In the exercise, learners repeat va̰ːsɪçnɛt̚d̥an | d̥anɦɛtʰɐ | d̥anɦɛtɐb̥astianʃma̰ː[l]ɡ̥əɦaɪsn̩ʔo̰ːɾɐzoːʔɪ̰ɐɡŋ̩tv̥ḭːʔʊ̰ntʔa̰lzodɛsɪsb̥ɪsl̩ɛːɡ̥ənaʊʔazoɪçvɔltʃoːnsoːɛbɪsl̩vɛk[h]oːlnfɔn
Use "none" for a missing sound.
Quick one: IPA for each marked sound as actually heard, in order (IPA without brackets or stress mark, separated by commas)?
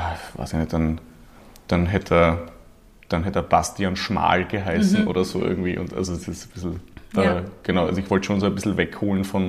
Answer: l, h